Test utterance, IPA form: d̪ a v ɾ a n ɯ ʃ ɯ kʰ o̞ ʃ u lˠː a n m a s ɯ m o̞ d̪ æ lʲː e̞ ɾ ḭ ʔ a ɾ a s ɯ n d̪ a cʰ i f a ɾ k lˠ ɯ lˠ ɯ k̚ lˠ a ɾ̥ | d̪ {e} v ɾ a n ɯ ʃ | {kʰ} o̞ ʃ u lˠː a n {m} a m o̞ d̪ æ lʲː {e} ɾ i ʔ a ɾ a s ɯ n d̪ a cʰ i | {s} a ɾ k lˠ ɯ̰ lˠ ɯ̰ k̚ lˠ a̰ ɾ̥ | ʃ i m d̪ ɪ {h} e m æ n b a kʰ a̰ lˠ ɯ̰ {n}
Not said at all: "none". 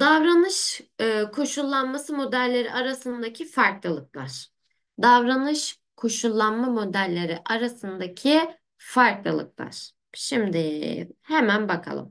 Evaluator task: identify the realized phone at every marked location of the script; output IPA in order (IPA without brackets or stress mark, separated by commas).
a, kʰ, m, e, f, h, m